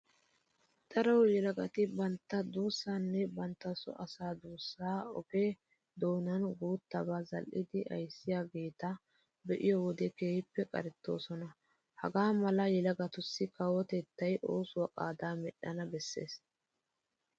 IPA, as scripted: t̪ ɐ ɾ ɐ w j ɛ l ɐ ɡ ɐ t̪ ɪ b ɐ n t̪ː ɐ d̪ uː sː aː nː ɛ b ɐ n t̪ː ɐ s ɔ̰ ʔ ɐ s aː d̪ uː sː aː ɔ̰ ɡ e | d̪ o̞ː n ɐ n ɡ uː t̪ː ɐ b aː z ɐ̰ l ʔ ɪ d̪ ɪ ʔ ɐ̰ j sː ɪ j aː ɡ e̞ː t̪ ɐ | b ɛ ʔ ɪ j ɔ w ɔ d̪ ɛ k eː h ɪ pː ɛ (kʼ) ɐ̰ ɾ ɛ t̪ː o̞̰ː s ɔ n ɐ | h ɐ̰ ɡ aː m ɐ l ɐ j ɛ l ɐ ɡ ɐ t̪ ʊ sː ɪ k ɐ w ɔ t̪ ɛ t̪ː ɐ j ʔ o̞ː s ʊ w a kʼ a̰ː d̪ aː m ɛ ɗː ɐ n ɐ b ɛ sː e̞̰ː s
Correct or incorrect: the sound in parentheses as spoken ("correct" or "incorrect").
correct